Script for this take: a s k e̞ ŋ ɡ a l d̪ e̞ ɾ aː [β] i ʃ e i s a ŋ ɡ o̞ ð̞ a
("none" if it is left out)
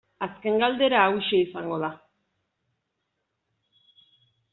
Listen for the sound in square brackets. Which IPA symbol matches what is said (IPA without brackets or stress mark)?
w